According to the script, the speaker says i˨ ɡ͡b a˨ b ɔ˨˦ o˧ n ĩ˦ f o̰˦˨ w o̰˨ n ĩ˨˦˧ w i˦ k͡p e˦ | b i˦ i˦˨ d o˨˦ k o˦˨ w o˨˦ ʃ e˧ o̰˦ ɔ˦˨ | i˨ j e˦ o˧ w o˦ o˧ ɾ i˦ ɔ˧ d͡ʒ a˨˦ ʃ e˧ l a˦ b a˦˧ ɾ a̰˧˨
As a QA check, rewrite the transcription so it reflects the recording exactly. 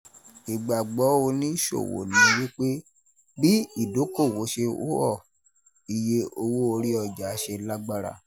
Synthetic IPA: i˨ ɡ͡b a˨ ɡ͡b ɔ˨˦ o˧ n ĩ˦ ʃ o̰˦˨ w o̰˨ n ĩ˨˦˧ w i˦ k͡p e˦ | b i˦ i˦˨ d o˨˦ k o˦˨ w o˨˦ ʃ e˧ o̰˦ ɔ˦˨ | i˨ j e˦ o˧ w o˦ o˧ ɾ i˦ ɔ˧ d͡ʒ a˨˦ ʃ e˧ l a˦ ɡ͡b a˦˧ ɾ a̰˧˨

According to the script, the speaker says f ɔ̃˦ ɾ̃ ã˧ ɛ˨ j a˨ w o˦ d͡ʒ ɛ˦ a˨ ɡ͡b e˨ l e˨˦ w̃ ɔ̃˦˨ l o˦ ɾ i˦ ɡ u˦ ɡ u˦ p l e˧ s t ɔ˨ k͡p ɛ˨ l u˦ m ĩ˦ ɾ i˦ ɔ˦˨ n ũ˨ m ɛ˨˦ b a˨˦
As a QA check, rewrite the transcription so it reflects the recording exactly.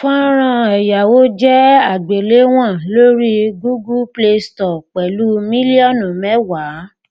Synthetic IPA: f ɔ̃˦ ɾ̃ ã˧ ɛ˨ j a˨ w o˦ d͡ʒ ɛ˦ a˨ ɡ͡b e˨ l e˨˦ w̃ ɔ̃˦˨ l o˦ ɾ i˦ ɡ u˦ ɡ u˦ p l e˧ s t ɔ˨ k͡p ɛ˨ l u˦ m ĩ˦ l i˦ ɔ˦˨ n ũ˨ m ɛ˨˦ w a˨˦

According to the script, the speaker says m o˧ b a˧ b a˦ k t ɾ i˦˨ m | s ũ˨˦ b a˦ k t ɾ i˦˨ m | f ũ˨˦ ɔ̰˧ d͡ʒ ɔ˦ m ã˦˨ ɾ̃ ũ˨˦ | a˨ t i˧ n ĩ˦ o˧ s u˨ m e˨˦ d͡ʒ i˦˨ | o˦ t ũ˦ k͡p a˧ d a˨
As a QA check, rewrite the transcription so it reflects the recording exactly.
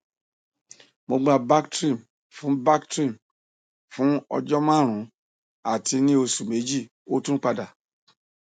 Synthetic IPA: m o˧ ɡ͡b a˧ b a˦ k t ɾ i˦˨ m | f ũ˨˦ b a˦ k t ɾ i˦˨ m | f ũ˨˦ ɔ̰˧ d͡ʒ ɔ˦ m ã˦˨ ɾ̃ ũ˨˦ | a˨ t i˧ n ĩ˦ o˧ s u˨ m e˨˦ d͡ʒ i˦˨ | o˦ t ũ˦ k͡p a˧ d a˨

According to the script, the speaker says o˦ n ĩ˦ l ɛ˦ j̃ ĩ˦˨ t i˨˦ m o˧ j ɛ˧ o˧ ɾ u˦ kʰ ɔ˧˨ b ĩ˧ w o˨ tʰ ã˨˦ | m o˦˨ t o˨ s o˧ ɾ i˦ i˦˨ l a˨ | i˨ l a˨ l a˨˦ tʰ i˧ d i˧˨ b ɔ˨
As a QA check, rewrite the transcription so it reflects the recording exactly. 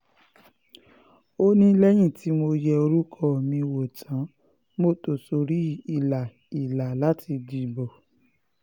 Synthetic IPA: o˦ n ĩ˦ l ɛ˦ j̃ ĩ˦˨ t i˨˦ m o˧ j ɛ˧ o˧ ɾ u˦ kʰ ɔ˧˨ m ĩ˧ w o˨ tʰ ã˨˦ | m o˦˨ t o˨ s o˧ ɾ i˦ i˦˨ l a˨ | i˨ l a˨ l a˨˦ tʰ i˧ d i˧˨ b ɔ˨

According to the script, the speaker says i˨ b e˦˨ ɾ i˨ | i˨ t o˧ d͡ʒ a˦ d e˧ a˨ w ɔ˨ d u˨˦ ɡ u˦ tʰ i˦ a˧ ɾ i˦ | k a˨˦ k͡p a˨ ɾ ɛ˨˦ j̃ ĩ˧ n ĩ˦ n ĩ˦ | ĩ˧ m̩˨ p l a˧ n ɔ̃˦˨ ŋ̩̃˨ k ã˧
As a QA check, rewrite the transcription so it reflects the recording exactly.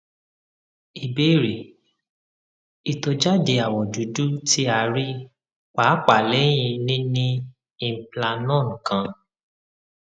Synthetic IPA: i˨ b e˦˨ ɾ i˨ | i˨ t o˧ d͡ʒ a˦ d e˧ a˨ w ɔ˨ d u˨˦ d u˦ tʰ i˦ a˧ ɾ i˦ | k͡p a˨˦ k͡p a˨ l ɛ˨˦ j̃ ĩ˧ n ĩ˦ n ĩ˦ | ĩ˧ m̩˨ p l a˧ n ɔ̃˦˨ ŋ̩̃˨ k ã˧

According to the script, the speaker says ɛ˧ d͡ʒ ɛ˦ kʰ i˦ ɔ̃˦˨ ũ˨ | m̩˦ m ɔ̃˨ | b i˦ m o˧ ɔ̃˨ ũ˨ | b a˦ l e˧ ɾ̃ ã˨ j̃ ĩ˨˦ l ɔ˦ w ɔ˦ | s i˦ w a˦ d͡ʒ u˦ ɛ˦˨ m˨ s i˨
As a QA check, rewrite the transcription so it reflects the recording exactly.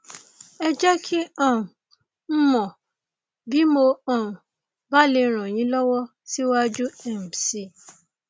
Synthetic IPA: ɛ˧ d͡ʒ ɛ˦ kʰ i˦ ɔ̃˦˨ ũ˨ | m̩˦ m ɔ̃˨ | b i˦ m o˧ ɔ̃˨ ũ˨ | b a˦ l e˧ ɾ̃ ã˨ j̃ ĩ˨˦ l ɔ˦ w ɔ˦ | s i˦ w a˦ d͡ʒ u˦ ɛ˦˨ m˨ s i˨

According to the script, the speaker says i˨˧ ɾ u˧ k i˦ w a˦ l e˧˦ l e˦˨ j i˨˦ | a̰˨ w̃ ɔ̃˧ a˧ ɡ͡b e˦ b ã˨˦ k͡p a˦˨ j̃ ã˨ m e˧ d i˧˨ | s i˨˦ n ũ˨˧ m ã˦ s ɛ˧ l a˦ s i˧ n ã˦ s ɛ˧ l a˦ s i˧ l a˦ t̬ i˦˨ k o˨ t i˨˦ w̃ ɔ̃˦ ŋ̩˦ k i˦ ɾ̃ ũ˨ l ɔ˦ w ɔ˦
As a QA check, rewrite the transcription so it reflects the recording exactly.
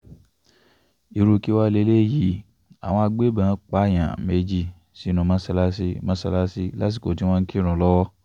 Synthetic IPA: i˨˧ ɾ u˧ k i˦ w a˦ l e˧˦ l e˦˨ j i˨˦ | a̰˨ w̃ ɔ̃˧ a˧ ɡ͡b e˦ b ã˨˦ k͡p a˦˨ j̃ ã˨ m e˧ d͡ʒ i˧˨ | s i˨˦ n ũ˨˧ m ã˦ s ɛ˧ l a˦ s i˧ m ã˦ s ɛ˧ l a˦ s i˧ l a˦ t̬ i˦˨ k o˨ t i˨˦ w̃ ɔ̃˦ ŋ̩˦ k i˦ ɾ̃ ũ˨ l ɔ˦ w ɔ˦

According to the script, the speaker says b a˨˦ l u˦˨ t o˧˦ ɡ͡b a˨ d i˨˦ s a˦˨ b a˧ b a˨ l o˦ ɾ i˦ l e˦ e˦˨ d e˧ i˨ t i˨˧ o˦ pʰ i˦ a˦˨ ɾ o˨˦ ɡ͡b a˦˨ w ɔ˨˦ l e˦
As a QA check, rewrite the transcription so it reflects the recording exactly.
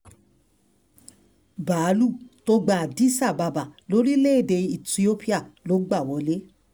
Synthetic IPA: b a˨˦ l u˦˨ t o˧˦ ɡ͡b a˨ d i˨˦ s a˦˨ b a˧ b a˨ l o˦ ɾ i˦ l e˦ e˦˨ d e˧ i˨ t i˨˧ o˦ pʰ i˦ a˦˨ l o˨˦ ɡ͡b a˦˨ w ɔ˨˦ l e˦

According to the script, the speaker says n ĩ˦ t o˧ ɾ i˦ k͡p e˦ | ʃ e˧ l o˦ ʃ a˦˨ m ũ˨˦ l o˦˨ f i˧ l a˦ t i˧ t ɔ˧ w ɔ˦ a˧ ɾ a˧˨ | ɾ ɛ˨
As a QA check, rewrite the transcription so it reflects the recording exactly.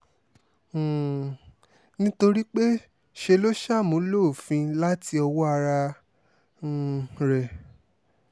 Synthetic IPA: n ĩ˦ t o˧ ɾ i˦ k͡p e˦ | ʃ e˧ l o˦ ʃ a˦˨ m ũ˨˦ l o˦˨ f ĩ˧ l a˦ t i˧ ɔ˧ w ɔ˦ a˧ ɾ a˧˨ | ɾ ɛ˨

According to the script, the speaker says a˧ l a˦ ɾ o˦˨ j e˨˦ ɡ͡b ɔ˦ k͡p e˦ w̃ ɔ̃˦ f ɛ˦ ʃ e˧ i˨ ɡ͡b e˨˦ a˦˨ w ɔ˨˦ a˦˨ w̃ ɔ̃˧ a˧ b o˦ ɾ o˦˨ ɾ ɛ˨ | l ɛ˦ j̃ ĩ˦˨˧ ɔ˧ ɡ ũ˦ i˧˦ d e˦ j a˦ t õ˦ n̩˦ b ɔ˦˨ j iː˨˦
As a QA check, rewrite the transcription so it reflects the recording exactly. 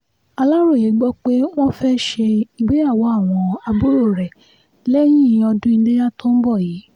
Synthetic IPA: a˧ l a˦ ɾ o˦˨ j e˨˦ ɡ͡b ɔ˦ k͡p e˦ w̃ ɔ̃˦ f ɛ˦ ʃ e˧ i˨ ɡ͡b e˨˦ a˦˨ w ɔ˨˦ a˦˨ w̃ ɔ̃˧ a˧ b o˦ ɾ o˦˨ ɾ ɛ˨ | l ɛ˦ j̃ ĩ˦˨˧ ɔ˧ d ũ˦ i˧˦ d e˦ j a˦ t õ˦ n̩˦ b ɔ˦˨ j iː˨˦

